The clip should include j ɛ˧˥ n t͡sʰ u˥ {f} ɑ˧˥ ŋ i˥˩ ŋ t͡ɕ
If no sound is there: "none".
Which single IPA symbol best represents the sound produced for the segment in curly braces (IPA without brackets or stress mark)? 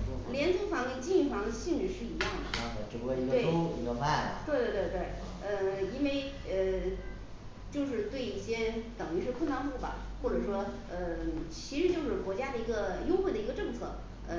f